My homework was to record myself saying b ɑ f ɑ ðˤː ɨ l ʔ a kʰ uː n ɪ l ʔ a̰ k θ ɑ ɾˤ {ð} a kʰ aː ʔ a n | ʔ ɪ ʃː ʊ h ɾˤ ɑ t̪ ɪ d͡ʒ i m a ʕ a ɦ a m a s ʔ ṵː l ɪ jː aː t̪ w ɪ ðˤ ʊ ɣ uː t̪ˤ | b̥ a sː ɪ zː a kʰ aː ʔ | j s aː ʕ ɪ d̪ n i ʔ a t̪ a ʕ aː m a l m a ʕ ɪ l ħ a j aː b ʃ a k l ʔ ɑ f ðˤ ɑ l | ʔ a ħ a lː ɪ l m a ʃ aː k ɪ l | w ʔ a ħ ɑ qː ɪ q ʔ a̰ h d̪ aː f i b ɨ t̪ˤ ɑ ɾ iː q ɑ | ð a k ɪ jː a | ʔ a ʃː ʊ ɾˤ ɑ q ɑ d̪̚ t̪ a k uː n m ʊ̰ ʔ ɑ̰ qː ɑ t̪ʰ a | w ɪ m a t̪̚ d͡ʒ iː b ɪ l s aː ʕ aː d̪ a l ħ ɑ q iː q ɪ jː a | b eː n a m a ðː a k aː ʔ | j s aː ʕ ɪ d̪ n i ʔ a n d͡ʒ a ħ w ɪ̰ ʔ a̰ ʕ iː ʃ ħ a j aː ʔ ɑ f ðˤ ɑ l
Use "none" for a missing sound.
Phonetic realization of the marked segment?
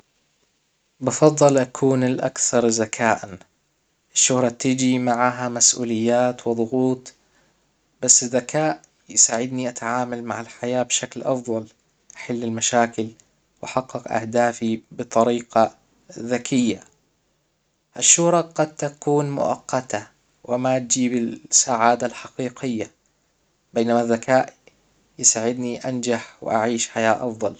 z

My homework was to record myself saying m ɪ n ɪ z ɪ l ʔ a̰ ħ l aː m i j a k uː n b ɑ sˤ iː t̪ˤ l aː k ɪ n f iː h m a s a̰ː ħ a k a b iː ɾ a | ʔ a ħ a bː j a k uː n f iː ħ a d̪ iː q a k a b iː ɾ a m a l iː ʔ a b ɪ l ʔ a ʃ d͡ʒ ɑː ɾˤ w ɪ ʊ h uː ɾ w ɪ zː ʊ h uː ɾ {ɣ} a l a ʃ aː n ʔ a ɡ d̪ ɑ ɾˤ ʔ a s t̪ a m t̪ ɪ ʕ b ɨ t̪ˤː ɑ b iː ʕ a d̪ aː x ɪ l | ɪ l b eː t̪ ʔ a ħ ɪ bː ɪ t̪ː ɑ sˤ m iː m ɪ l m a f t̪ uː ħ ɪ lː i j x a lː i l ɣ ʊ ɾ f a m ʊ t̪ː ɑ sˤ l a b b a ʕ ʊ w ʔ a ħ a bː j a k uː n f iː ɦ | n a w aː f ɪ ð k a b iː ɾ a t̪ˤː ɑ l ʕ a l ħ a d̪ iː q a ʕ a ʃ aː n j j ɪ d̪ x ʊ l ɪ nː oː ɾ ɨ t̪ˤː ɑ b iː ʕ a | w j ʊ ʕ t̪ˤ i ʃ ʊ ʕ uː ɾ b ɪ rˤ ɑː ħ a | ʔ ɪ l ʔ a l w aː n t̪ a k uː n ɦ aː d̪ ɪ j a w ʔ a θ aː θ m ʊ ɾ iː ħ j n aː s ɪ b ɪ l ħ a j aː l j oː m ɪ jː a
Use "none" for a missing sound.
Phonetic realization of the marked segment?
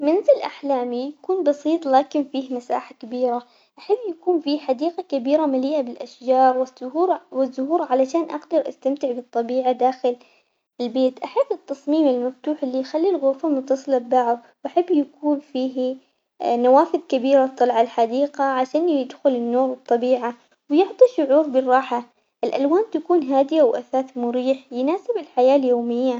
ʕ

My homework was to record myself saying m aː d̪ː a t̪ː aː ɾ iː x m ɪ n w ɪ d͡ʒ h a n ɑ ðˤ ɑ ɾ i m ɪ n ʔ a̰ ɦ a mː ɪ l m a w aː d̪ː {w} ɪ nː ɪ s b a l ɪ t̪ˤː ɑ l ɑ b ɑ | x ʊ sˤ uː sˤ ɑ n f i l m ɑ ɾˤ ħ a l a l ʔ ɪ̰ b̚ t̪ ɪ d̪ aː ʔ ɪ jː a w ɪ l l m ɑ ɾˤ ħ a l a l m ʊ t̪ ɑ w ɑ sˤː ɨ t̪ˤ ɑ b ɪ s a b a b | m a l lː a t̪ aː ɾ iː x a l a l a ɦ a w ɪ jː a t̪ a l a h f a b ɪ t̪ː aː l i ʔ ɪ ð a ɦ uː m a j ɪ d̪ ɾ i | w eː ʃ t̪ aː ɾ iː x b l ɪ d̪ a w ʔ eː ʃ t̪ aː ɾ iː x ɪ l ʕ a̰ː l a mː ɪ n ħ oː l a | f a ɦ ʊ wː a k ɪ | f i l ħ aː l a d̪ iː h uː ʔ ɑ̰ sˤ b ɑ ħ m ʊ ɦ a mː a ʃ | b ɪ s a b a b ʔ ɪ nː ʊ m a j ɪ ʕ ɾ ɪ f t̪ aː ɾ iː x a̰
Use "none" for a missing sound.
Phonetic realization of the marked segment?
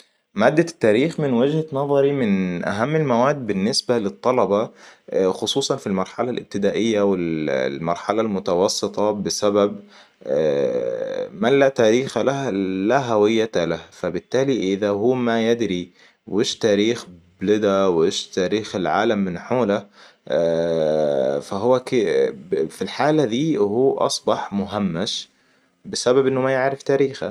b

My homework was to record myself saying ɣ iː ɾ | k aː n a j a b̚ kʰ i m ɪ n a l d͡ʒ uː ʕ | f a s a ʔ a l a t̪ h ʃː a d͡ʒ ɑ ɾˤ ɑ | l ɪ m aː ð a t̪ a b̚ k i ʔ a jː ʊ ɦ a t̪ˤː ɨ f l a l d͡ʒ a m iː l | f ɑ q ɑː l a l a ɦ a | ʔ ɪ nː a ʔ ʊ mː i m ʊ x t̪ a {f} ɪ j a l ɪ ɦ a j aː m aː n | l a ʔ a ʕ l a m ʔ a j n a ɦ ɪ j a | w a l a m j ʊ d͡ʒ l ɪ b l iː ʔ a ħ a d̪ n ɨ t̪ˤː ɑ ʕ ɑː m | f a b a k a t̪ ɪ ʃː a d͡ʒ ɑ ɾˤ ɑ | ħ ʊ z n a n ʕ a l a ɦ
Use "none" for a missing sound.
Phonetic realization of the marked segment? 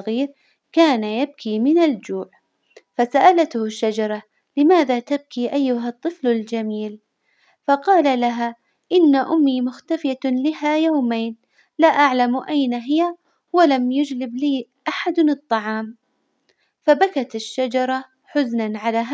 f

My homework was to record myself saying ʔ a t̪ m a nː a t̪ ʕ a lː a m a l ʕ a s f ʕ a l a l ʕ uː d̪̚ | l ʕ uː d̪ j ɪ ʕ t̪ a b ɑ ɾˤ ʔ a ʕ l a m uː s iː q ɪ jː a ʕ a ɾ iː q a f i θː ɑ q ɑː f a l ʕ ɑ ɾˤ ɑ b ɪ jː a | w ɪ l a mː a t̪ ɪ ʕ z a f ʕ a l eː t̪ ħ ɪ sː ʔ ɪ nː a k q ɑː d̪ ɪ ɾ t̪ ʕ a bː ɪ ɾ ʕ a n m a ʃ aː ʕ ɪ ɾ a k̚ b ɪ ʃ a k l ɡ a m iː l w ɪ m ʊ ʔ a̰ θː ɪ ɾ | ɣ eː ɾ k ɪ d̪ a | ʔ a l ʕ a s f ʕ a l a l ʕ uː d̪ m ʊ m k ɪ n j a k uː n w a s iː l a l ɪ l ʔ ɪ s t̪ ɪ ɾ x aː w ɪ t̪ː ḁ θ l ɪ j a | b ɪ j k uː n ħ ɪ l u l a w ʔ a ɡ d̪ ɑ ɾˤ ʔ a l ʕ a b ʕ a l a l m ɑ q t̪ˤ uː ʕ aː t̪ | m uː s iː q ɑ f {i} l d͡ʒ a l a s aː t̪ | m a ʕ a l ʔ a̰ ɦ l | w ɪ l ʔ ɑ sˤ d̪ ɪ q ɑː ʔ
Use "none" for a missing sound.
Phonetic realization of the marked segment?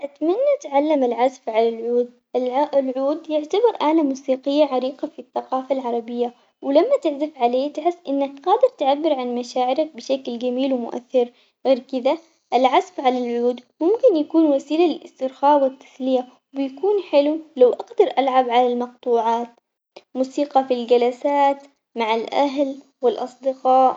i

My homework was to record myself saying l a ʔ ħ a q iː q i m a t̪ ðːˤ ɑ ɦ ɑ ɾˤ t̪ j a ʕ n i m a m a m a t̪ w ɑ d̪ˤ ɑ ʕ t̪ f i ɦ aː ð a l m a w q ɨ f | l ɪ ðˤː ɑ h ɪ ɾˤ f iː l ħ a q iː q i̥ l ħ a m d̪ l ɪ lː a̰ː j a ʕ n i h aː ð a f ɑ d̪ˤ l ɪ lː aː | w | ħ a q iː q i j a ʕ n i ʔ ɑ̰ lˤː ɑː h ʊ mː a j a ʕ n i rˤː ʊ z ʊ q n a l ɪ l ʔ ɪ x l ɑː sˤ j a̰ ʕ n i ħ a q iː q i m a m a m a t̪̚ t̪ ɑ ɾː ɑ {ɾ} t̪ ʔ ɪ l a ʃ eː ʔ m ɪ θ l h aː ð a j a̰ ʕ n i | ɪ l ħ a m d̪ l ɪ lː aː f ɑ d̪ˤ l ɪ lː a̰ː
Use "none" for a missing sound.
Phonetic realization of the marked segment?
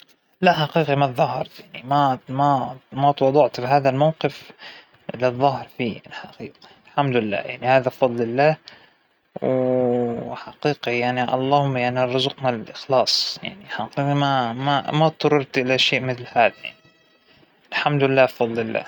ɾ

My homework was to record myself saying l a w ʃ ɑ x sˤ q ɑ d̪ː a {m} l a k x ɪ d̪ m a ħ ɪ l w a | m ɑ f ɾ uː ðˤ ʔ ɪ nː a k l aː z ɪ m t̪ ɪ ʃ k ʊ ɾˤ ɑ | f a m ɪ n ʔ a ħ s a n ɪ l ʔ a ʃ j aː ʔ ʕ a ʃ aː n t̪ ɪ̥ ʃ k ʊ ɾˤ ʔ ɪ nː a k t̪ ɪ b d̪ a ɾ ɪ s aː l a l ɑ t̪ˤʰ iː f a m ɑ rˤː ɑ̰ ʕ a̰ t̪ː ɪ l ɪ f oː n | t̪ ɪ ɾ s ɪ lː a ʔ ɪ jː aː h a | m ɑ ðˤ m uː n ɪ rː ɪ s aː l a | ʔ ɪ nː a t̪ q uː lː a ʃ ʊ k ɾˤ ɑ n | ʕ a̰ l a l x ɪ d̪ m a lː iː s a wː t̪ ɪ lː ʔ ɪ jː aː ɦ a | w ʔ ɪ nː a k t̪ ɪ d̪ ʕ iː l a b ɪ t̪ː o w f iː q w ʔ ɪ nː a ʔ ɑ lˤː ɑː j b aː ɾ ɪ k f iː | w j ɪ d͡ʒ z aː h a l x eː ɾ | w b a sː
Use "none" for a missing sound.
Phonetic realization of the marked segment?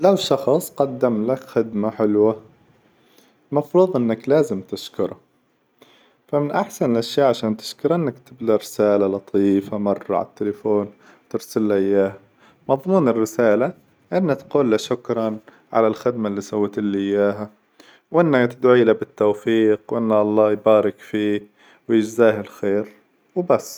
m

